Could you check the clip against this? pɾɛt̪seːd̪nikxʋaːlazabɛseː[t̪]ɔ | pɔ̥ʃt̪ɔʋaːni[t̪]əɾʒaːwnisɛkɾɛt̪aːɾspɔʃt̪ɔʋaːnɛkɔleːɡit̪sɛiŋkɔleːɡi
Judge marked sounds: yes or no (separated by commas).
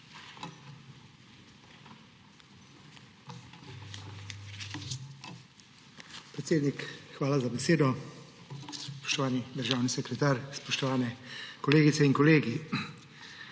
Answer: no, no